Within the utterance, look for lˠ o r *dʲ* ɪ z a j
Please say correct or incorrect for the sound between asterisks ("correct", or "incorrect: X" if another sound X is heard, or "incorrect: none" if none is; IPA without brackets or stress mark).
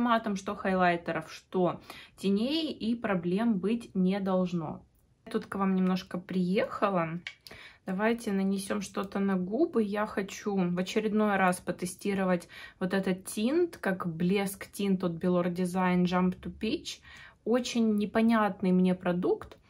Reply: correct